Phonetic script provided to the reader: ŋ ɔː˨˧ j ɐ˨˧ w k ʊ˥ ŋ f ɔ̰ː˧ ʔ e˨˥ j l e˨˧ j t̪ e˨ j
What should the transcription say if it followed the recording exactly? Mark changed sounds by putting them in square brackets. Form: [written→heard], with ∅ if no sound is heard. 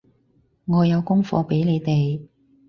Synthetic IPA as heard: ŋ ɔː˨˧ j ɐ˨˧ w k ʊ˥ ŋ f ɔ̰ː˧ [ʔ→p] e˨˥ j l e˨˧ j t̪ e˨ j